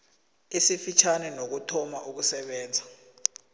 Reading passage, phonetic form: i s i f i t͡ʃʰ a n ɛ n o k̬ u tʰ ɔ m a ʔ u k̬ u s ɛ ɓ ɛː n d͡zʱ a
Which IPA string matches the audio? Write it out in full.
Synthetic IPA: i s i f i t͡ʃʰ a n ɛ n o k̬ u tʰ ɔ m a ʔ u k̬ u s ɛ ɓ ɛː n d͡zʱ a